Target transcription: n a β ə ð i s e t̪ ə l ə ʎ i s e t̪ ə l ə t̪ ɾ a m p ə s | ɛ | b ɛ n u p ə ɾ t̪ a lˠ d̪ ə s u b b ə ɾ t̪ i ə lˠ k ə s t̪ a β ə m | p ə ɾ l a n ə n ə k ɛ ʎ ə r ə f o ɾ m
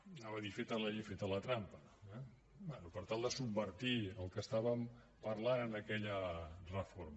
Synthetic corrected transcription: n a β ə ð i f e t̪ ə l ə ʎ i f e t̪ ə l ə t̪ ɾ a m p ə | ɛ | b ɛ n u p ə ɾ t̪ a lˠ d̪ ə s u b b ə ɾ t̪ i ə lˠ k ə s t̪ a β ə m | p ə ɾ l a n ə n ə k ɛ ʎ ə r ə f o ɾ m